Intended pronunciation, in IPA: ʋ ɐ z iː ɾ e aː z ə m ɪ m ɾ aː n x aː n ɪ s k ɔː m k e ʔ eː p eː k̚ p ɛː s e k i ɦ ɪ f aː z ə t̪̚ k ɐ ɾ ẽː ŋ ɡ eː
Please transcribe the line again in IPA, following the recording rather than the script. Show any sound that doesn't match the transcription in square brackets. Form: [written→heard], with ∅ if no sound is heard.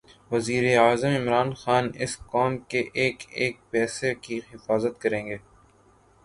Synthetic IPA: ʋ ɐ z iː ɾ e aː z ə m ɪ m ɾ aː n x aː n ɪ s k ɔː m k e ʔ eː [p→k] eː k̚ p ɛː s e k i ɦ ɪ f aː z ə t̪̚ k ɐ ɾ ẽː ŋ ɡ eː